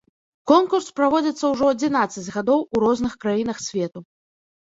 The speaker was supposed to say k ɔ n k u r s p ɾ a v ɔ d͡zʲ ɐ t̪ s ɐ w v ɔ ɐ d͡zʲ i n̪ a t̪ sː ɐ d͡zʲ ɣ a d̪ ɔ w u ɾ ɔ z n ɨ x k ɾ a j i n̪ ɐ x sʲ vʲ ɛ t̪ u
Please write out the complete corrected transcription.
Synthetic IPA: k ɔ n k u r s p ɾ a v ɔ d͡zʲ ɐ t̪ sː ɐ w ʐ ɔ ɐ d͡zʲ i n̪ a t̪ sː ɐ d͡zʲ ɣ a d̪ ɔ w u ɾ ɔ z n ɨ x k ɾ a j i n̪ ɐ x sʲ vʲ ɛ t̪ u